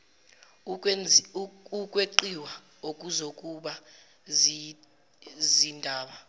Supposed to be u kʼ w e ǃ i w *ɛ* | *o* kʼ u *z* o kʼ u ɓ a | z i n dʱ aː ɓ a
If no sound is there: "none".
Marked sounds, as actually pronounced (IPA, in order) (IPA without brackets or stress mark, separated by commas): a, o, z